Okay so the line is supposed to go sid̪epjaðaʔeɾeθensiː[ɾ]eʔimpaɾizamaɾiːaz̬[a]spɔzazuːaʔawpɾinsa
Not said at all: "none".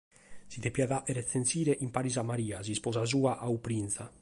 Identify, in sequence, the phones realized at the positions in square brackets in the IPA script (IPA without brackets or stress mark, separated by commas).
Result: ɾ, i